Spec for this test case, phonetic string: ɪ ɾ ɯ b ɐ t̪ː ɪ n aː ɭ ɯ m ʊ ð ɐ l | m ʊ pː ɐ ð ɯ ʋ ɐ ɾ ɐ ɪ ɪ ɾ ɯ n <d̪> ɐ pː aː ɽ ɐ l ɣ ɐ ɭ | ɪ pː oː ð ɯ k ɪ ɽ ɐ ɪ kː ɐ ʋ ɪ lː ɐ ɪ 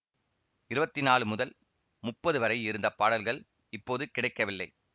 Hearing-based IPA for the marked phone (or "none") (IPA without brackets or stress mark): d̪